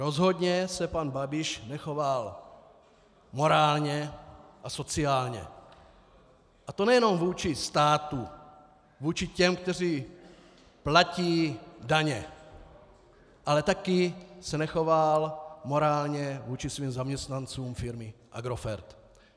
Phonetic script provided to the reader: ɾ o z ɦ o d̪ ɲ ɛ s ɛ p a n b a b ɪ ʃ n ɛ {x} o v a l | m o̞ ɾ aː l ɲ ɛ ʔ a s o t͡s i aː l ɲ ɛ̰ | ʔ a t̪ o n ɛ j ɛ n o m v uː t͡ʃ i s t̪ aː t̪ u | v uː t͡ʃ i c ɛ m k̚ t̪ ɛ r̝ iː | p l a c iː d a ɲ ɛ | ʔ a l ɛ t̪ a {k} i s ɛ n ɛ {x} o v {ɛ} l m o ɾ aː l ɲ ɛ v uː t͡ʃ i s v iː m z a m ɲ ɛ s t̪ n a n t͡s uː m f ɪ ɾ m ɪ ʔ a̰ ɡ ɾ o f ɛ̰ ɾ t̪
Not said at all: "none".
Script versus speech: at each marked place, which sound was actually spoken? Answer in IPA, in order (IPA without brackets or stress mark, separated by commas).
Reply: x, k, x, a